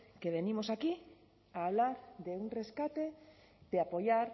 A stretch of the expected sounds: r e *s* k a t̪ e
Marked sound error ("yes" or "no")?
no